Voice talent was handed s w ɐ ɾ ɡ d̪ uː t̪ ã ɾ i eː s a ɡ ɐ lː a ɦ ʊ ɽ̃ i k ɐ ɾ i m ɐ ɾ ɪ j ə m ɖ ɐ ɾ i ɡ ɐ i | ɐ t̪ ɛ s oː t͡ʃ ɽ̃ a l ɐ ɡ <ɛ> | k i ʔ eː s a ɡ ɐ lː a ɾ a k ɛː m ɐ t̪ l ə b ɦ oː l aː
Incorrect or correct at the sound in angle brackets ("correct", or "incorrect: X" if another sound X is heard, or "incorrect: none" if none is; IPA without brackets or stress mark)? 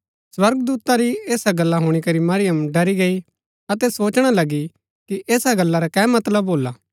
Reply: incorrect: i